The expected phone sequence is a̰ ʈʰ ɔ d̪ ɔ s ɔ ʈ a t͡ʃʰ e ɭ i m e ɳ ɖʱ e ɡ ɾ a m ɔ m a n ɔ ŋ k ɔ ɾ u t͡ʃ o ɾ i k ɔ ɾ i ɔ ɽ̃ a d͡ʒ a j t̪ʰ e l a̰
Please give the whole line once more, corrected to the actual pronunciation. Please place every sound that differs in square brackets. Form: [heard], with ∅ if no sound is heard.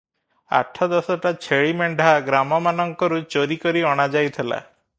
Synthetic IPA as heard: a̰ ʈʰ ɔ d̪ ɔ s ɔ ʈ a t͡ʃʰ e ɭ i m e ɳ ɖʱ [a] ɡ ɾ a m ɔ m a n ɔ ŋ k ɔ ɾ u t͡ʃ o ɾ i k ɔ ɾ i ɔ ɽ̃ a d͡ʒ a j t̪ʰ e l a̰